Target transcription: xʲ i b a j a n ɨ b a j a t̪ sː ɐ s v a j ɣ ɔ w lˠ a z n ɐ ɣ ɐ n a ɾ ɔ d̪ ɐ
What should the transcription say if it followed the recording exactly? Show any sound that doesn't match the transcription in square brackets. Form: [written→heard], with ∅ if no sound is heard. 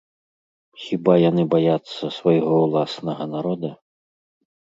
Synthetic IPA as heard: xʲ i b a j a n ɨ b a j a t̪ sː ɐ s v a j ɣ ɔ w lˠ a [z→s] n ɐ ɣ ɐ n a ɾ ɔ d̪ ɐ